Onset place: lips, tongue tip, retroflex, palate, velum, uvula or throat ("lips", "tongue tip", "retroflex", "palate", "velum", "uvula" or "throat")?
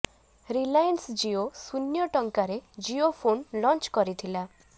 tongue tip